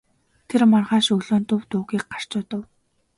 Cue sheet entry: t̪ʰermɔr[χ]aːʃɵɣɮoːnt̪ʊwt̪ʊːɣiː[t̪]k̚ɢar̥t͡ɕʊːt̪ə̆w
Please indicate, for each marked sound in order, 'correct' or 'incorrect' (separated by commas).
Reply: incorrect, incorrect